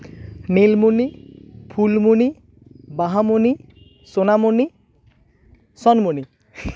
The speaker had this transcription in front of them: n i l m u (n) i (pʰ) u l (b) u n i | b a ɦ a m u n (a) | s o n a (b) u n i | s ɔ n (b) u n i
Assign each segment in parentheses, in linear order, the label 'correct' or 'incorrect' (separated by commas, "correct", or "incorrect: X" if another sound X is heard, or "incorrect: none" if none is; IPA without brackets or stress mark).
correct, correct, incorrect: m, incorrect: i, incorrect: m, incorrect: m